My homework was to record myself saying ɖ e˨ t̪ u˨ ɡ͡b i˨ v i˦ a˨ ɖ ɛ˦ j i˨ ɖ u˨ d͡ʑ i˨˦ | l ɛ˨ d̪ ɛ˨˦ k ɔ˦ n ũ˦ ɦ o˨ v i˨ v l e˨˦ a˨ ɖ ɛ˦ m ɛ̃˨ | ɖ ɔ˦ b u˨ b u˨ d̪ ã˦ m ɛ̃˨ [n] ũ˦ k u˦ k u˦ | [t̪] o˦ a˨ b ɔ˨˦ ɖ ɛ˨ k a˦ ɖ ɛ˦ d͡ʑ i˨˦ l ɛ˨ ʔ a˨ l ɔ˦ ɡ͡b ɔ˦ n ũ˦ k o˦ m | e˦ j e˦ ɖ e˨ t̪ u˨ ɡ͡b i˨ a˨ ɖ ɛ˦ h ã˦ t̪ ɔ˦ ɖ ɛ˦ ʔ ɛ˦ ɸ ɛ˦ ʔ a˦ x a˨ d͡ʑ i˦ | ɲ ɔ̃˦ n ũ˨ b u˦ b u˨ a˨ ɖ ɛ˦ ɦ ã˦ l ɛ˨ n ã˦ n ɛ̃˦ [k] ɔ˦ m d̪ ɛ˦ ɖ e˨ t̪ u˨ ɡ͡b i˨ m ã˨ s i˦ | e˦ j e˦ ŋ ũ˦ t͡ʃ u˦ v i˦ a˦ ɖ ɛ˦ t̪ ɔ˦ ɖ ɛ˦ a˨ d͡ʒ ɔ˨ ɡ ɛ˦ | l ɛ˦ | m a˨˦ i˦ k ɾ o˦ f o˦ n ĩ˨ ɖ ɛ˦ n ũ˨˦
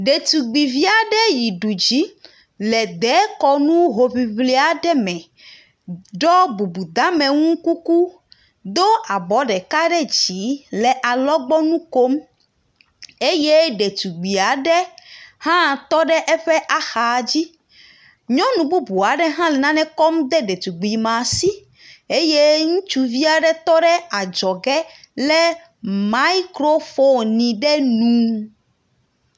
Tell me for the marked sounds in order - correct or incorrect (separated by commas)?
incorrect, incorrect, correct